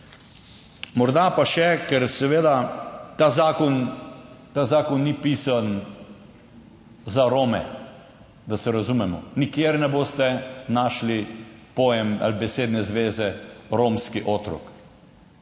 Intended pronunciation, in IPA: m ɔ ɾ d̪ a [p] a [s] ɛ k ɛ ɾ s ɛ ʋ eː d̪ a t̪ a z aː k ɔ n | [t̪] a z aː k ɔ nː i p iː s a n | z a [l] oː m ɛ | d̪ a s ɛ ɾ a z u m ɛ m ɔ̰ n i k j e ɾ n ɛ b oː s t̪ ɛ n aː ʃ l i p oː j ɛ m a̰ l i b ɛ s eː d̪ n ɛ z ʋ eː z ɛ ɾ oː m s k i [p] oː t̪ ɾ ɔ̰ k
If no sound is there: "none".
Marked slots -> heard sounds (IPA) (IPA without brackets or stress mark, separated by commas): p, ʃ, t̪, ɾ, ʔ